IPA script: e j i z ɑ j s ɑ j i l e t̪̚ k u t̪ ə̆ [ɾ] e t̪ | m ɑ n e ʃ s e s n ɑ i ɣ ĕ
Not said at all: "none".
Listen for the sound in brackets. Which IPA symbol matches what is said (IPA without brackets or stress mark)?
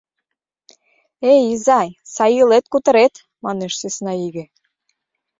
ɾ